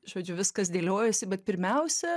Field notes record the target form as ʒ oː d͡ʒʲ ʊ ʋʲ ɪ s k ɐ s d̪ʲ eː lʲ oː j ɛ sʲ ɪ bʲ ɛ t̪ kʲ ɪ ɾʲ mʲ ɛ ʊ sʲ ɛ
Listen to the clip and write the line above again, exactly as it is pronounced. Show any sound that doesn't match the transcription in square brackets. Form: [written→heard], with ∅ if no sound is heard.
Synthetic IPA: ʒ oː d͡ʒʲ ʊ ʋʲ ɪ s k ɐ s d̪ʲ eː lʲ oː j ɛ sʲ ɪ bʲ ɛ t̪ [kʲ→pʲ] ɪ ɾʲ mʲ ɛ ʊ sʲ ɛ